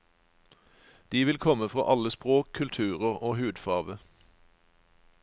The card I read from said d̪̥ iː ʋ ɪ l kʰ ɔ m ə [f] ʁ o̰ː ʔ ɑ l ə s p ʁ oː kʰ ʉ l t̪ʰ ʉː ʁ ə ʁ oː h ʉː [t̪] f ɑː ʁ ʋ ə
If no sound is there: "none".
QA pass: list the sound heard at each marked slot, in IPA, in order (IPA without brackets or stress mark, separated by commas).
f, d̪